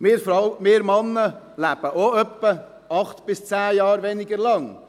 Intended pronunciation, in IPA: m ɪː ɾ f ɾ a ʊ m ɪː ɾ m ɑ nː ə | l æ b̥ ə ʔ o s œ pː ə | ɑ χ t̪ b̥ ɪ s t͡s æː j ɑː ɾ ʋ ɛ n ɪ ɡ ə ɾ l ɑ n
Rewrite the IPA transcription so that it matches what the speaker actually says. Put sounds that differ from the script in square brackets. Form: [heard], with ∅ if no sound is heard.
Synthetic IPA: m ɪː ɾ f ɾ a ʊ m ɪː ɾ m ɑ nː ə | l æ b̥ ə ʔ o [∅] œ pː ə | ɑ χ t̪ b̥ ɪ s t͡s æː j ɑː ɾ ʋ ɛ n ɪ ɡ ə ɾ l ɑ [ŋ]